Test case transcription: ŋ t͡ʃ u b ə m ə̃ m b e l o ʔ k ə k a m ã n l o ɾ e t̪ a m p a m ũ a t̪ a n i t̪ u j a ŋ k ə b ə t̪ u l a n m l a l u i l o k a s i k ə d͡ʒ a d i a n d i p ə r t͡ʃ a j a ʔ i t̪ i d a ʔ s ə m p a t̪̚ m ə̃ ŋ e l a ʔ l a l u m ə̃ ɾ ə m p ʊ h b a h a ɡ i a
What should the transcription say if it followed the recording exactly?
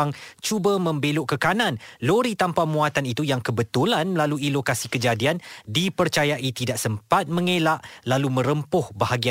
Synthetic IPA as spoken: ŋ t͡ʃ u b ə m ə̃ m b e l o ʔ k ə k a n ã n l o ɾ i t̪ a m p a m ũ a t̪ a n i t̪ u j a ŋ k ə b ə t̪ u l a n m l a l u i l o k a s i k ə d͡ʒ a d i a n d i p ə r t͡ʃ a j a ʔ i t̪ i d a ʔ s ə m p a t̪̚ m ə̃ ŋ e l a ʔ l a l u m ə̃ ɾ ə m p ʊ h b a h a ɡ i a